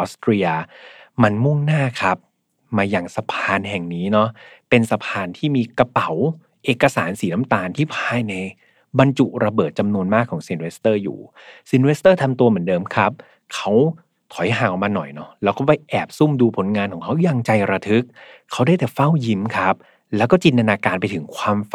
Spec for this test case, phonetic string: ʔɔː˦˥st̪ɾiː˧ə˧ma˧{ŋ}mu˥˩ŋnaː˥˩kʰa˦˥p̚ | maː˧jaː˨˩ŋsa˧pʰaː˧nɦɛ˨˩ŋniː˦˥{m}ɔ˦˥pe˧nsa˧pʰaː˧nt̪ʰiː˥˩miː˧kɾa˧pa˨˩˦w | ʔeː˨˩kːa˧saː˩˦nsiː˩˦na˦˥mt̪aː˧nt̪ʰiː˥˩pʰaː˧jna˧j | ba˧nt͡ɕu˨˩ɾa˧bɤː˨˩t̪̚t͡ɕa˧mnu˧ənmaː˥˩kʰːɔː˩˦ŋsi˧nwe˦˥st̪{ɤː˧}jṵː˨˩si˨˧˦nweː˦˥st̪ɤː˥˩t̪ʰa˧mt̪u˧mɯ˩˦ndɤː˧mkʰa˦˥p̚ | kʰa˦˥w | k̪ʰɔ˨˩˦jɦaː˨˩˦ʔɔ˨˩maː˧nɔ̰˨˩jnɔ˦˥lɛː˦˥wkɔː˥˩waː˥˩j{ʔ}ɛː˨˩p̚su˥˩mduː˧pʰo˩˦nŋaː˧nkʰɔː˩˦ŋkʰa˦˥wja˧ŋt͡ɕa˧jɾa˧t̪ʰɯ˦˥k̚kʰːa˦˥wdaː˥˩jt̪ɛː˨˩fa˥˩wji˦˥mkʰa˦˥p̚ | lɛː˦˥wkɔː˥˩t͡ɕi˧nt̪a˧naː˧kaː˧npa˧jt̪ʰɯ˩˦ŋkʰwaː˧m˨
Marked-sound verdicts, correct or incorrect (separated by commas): incorrect, incorrect, incorrect, correct